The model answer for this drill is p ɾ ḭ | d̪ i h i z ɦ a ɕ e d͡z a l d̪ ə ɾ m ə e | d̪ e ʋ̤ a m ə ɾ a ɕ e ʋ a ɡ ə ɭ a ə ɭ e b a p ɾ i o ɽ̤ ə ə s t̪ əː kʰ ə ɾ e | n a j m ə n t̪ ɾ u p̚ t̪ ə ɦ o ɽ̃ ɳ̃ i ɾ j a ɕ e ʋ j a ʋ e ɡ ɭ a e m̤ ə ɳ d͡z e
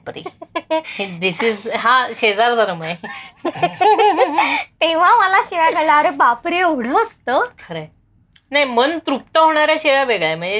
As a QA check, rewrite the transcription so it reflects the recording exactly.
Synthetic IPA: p ɾ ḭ | d̪ i s i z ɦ a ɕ e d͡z a ɾ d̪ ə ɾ m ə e | t̪ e ʋ̤ a m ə l a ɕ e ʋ a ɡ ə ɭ a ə ɾ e b a p ɾ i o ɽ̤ ə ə s t̪ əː kʰ ə ɾ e | n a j m ə n t̪ ɾ u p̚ t̪ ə ɦ o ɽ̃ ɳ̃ a ɾ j a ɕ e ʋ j a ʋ e ɡ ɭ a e m̤ ə ɳ d͡z e